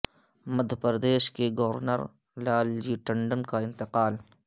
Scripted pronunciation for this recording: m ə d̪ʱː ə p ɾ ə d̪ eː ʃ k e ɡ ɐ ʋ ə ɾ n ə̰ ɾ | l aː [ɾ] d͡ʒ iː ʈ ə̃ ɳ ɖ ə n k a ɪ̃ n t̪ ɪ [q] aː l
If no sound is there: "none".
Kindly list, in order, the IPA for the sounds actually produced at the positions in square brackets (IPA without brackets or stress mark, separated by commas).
l, q